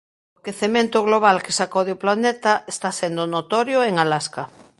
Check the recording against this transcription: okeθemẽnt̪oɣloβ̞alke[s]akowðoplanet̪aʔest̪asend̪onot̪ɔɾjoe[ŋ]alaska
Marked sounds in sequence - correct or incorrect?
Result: correct, correct

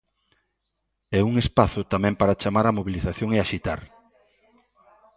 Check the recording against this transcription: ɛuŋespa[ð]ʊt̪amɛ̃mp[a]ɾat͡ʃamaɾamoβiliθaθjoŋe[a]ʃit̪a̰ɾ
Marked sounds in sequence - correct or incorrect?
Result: incorrect: θ, correct, correct

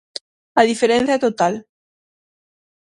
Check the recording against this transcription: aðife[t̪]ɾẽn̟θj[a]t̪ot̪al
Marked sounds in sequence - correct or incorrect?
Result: incorrect: none, correct

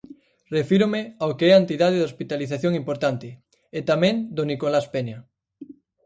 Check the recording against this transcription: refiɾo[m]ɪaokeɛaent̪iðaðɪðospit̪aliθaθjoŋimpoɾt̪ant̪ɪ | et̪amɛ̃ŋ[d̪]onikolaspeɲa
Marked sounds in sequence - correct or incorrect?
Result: correct, correct

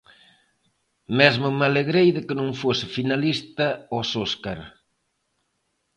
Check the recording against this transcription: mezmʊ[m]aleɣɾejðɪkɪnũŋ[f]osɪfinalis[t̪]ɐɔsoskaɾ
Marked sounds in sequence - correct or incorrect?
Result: correct, correct, correct

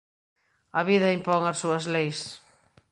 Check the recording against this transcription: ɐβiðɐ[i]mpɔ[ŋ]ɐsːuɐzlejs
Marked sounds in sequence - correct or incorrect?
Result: correct, correct

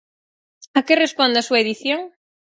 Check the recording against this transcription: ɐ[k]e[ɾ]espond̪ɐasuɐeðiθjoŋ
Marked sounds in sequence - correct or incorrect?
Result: correct, incorrect: r

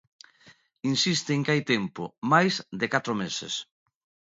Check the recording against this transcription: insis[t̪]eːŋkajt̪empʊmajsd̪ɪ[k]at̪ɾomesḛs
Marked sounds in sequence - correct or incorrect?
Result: correct, correct

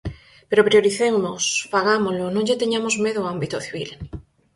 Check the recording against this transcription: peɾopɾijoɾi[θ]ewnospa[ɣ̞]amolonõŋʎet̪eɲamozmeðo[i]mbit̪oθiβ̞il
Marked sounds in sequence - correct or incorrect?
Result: correct, correct, incorrect: a

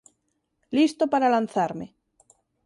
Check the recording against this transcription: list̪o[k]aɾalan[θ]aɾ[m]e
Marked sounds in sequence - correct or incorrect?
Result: incorrect: p, correct, correct

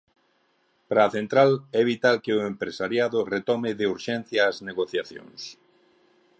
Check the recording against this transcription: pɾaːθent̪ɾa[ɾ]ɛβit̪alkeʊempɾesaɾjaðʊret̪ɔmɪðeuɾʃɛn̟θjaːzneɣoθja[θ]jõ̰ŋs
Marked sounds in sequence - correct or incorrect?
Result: incorrect: l, correct

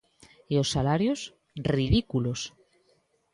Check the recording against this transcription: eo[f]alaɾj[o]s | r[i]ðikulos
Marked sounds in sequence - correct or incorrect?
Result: incorrect: s, correct, correct

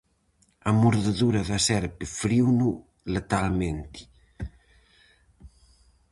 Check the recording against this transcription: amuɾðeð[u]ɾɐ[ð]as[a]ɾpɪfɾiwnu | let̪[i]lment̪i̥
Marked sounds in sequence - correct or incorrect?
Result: correct, correct, incorrect: ɛ, incorrect: a

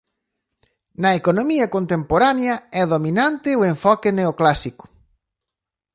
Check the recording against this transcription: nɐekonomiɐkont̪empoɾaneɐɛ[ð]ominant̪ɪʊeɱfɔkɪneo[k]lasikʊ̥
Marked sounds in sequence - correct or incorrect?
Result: correct, correct

